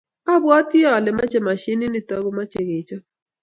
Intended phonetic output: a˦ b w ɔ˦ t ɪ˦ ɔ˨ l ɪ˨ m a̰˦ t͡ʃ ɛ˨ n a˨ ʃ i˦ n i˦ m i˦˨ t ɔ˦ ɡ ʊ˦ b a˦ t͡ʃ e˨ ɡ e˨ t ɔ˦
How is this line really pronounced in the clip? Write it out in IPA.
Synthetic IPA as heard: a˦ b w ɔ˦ t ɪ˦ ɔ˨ l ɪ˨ m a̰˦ t͡ʃ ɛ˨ m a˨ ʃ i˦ n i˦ n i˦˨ t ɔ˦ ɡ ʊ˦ m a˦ t͡ʃ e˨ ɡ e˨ t͡ʃ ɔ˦